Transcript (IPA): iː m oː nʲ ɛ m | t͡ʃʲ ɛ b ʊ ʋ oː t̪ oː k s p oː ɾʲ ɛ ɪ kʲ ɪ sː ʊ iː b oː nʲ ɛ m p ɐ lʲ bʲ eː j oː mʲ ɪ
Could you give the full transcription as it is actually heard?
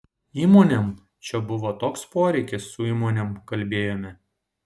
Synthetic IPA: iː m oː nʲ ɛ m | t͡ʃʲ ɛ b ʊ ʋ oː t̪ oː k s p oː ɾʲ ɛ ɪ kʲ ɪ sː ʊ iː m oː nʲ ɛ m k ɐ lʲ bʲ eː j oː mʲ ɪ